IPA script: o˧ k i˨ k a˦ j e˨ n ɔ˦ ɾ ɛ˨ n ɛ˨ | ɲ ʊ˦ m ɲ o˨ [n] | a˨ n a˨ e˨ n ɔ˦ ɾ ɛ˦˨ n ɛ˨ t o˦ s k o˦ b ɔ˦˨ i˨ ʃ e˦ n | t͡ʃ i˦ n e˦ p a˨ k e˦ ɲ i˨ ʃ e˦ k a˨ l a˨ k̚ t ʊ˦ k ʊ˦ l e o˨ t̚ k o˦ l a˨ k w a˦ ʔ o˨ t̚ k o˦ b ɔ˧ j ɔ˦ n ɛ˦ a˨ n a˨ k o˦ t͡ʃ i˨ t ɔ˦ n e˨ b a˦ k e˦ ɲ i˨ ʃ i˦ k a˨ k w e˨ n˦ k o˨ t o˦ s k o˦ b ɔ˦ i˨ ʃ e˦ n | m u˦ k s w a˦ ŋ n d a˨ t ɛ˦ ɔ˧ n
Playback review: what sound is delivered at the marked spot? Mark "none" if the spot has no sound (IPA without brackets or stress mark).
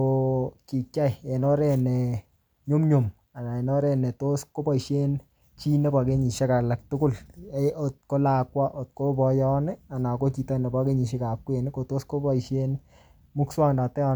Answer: m